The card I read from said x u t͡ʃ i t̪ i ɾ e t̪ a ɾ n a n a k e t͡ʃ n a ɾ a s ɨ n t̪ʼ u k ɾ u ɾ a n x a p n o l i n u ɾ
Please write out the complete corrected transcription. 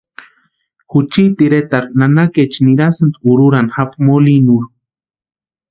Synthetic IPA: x u t͡ʃ i t̪ i ɾ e t̪ a ɾ n a n a k e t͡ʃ n i ɾ a s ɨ n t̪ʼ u ɾ u ɾ a n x a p m o l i n u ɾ